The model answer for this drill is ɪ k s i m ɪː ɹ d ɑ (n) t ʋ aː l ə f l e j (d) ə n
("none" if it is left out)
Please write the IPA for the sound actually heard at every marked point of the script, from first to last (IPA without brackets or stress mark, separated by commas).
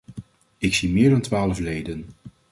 n, d